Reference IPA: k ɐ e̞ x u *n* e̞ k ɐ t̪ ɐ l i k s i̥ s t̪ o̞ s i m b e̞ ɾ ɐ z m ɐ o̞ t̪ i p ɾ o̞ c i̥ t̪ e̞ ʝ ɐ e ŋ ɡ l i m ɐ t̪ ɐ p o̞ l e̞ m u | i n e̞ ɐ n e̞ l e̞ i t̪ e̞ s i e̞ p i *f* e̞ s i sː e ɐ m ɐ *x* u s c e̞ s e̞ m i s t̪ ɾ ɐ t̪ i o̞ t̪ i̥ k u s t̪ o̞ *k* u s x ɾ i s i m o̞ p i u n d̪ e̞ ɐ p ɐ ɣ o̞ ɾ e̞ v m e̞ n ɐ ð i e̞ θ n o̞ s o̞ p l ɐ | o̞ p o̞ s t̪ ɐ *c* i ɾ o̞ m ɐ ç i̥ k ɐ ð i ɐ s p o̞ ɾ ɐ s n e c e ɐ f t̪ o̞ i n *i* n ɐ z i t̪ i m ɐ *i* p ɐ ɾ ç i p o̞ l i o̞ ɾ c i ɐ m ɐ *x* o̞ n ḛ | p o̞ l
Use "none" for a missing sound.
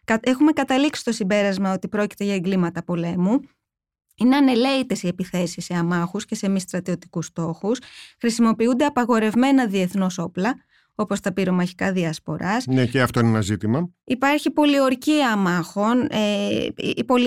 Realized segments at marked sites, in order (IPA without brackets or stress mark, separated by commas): m, θ, x, x, p, e, i, x